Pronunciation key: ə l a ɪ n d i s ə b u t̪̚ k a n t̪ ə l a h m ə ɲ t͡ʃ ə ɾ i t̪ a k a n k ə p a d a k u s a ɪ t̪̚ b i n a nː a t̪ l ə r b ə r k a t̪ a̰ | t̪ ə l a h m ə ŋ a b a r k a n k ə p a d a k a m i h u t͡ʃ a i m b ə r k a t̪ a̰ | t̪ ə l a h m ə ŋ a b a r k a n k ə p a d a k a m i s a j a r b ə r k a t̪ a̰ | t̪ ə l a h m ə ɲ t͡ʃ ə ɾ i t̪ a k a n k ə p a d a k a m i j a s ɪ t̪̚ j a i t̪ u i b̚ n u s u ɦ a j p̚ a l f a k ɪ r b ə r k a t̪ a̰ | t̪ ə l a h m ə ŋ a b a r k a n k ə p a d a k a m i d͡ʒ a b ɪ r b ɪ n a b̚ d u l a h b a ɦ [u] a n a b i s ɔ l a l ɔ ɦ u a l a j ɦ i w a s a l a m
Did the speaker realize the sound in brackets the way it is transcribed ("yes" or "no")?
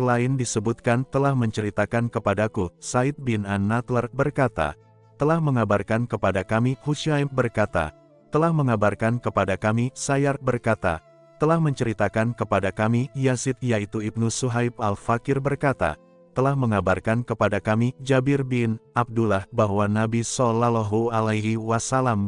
no